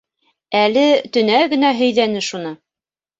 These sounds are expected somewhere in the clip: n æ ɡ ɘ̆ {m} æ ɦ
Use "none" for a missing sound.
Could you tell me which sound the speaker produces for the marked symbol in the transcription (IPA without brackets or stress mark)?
n